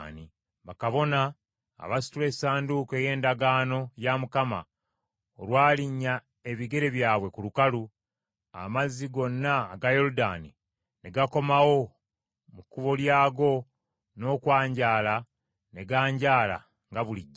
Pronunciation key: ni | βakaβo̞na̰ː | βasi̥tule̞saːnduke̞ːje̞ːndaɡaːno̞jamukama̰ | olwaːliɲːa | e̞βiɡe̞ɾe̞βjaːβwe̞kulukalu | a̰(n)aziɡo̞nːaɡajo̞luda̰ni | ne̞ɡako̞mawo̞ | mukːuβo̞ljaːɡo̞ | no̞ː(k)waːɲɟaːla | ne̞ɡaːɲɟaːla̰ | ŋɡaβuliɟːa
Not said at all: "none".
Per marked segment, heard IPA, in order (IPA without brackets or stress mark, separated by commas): m, k